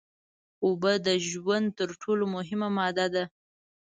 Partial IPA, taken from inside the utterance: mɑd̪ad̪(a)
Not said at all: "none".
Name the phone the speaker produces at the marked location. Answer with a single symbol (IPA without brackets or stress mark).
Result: a